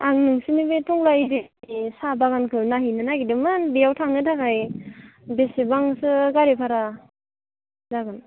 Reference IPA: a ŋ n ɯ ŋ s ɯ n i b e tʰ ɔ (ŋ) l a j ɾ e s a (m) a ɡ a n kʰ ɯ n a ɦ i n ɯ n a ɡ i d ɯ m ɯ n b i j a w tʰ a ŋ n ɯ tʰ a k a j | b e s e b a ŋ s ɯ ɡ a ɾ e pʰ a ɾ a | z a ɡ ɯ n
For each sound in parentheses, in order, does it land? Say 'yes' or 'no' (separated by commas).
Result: yes, no